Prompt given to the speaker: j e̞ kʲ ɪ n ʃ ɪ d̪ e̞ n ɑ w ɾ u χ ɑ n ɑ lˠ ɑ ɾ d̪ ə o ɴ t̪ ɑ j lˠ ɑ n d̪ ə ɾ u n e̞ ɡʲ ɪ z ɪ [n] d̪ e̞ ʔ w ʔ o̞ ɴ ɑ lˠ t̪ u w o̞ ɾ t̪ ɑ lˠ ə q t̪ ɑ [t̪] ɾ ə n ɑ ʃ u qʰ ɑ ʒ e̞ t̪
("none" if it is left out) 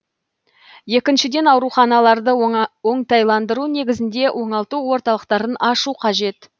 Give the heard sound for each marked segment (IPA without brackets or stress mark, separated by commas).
n, none